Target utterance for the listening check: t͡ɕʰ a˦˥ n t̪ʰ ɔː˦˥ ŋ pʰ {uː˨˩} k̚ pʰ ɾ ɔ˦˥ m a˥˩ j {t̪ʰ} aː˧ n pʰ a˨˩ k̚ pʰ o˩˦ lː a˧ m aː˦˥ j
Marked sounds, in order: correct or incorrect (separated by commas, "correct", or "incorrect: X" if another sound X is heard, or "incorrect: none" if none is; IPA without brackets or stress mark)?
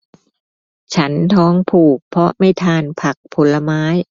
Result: correct, correct